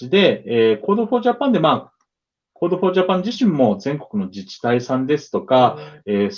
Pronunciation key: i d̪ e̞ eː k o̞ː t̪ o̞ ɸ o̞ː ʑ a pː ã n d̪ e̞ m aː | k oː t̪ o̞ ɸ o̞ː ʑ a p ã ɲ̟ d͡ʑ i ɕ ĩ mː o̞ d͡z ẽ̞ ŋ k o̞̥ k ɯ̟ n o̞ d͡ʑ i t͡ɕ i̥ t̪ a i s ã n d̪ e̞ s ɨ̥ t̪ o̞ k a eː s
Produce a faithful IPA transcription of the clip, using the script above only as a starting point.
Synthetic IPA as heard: i d̪ e̞ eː k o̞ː d̪ o̞ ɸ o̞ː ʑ a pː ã n d̪ e̞ m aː | k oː d̪ o̞ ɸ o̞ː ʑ a p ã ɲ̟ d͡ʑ i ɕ ĩ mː o̞ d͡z ẽ̞ ŋ k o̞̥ k ɯ̟ n o̞ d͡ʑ i t͡ɕ i̥ t̪ a i s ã n d̪ e̞ s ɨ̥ t̪ o̞ k a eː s